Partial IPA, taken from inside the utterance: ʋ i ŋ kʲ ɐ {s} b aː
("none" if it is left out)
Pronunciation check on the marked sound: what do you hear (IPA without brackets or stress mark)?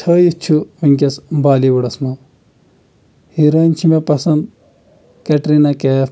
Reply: s